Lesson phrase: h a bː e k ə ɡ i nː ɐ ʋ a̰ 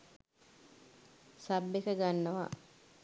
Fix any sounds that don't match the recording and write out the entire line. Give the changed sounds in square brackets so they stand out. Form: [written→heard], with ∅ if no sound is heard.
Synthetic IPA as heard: [h→s] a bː e k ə ɡ [i→a] nː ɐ ʋ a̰